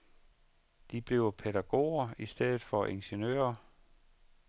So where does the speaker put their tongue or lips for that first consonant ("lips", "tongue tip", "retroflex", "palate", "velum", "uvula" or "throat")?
tongue tip